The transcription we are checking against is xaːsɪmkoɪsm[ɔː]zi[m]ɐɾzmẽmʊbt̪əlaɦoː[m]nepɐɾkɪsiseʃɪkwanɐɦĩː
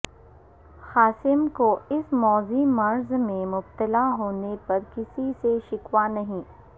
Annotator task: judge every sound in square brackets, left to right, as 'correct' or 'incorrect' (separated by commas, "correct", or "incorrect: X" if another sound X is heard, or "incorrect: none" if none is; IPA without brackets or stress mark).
correct, correct, incorrect: none